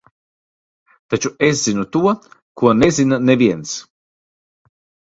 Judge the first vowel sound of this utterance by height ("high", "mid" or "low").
low